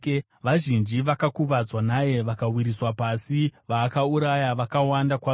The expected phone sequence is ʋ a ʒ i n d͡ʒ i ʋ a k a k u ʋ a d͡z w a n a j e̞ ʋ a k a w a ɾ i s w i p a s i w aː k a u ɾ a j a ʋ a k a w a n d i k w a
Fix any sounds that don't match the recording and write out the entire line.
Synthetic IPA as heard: ʋ a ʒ i n d͡ʒ i ʋ a k a k u ʋ a d͡z w a n a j e̞ ʋ a k a w i ɾ i s w a p a s i ʋ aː k a u ɾ a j a ʋ a k a w a n d a k w a